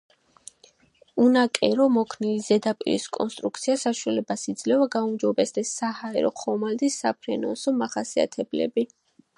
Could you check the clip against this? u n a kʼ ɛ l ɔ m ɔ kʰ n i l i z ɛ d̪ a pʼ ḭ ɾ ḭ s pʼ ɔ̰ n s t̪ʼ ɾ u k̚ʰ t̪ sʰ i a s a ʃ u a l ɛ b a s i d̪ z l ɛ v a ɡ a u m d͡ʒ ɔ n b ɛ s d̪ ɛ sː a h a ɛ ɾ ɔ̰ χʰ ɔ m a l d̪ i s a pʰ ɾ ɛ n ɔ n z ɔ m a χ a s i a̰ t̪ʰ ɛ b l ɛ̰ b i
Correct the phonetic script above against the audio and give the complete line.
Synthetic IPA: u n a kʼ ɛ ɾ ɔ m ɔ kʰ n i l i z ɛ d̪ a pʼ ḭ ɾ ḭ s kʼ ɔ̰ n s t̪ʼ ɾ u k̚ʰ t̪ sʰ i a s a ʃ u a l ɛ b a s i d̪ z l ɛ v a ɡ a u m d͡ʒ ɔ b ɛ s d̪ ɛ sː a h a ɛ ɾ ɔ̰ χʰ ɔ m a l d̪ i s a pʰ ɾ ɛ n ɔ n s ɔ m a χ a s i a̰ t̪ʰ ɛ b l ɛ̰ b i